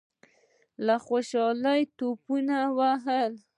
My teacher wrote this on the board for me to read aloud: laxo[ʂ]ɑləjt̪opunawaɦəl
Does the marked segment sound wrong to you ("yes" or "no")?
yes